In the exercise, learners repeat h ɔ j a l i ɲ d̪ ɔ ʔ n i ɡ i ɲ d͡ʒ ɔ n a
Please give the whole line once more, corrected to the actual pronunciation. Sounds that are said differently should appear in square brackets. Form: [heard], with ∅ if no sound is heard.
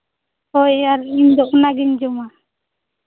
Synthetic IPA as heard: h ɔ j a [ɾ] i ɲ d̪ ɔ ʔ n [a] ɡ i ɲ d͡ʒ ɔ [m] a